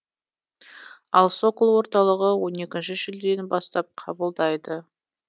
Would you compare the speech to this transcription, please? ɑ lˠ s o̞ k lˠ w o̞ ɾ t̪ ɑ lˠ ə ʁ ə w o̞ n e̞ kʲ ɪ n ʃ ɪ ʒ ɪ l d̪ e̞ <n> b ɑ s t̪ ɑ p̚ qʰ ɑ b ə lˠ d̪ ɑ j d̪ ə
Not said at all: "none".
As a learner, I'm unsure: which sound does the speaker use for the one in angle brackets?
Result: n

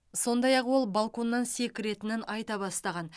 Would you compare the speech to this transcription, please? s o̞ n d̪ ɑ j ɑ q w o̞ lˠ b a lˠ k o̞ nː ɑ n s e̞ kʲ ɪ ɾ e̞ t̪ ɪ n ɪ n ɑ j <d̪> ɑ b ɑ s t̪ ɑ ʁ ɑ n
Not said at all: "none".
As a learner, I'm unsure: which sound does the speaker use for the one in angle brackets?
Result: t̪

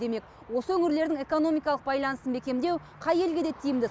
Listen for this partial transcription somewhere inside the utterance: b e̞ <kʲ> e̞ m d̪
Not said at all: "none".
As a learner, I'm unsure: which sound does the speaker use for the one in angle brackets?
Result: kʲ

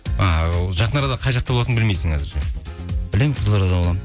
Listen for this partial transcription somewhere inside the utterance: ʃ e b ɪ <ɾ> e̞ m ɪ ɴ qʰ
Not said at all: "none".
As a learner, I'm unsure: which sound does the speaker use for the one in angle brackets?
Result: l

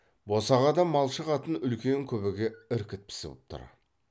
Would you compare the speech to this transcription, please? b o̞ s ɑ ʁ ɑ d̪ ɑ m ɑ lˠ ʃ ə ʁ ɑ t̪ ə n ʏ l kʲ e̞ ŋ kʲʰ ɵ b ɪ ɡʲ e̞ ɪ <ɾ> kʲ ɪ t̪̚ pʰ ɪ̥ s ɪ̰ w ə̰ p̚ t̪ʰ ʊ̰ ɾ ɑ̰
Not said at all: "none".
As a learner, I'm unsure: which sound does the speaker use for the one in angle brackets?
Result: ɾ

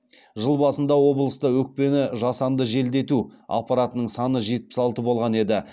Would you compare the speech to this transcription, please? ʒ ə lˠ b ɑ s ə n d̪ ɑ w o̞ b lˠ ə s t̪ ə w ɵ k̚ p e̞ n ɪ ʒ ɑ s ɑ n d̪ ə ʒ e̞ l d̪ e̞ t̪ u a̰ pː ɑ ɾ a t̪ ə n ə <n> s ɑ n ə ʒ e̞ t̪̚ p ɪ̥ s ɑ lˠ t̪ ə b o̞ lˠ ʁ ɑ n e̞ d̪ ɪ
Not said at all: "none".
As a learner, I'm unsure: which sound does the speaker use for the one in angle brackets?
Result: ɴ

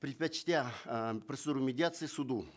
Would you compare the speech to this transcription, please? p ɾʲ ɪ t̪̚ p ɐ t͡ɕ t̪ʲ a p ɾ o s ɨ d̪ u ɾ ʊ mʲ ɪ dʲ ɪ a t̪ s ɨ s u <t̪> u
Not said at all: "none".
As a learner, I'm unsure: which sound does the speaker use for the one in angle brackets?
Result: d̪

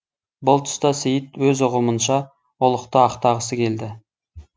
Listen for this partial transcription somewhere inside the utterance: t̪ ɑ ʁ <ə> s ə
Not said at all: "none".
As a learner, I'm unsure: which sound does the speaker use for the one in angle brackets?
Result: ə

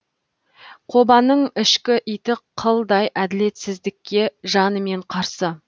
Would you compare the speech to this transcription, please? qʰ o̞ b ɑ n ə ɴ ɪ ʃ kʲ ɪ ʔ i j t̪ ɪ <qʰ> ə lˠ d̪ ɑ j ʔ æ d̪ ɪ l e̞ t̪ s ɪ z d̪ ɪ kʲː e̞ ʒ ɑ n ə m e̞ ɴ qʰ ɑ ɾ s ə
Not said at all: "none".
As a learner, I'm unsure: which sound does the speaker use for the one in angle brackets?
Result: qʰ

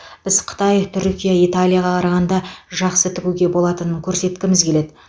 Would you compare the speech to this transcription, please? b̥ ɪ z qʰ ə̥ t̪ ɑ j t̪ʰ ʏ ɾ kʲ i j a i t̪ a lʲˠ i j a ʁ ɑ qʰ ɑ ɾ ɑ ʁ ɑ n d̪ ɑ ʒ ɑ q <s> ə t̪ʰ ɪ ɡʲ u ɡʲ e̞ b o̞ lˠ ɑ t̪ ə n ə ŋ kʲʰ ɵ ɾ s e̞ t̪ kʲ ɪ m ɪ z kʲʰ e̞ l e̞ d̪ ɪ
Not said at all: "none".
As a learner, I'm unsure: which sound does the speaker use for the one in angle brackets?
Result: s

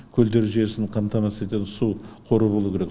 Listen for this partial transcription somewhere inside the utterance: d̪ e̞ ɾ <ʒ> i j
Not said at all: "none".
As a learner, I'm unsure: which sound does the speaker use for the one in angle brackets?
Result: ʒ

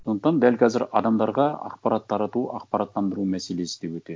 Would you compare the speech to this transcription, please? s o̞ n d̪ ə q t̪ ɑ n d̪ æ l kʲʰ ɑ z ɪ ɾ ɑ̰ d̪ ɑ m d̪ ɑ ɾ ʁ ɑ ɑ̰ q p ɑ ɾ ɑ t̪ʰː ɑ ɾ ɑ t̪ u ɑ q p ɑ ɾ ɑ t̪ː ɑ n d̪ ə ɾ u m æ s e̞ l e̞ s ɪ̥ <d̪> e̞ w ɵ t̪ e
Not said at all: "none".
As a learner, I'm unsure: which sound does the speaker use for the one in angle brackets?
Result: d̪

